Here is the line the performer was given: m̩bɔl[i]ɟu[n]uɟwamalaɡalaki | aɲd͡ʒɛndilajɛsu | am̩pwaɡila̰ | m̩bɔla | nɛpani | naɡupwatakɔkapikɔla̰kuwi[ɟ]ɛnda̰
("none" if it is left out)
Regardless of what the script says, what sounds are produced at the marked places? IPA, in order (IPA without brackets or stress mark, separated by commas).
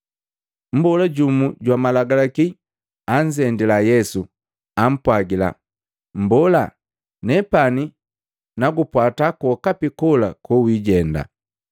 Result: a, m, ɟ